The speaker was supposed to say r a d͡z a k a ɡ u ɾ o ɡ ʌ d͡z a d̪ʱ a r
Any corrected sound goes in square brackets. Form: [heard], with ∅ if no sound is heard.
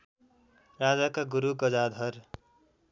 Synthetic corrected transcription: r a d͡z a k a ɡ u ɾ [u] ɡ ʌ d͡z a d̪ʱ [ʌ] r